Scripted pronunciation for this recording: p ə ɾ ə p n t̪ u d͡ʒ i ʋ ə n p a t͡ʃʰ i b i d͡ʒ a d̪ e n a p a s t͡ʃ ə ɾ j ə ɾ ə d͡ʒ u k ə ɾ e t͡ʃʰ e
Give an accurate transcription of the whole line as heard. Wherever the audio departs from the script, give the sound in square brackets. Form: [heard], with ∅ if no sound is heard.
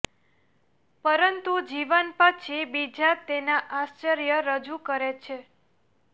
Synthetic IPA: p ə ɾ ə [∅] n t̪ u d͡ʒ i ʋ ə n p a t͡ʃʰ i b i d͡ʒ a [t̪] e n a [ʔ] a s t͡ʃ ə ɾ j ə ɾ ə d͡ʒ u k ə ɾ e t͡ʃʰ e